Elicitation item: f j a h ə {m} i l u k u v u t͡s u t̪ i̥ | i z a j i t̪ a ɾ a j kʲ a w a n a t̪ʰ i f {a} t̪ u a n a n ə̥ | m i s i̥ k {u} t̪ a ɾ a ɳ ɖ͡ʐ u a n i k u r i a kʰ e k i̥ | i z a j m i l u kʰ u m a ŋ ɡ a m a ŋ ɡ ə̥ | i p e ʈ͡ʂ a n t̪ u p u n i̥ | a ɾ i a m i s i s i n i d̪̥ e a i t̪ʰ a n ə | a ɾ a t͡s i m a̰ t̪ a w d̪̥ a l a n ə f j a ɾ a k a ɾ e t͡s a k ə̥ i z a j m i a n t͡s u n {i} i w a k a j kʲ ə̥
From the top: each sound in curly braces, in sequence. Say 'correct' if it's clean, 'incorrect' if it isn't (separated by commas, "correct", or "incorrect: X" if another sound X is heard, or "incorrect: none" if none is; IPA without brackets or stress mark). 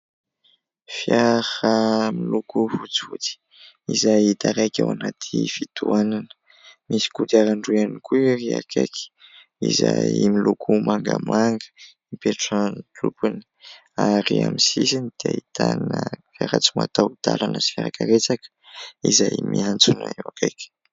correct, incorrect: i, correct, incorrect: a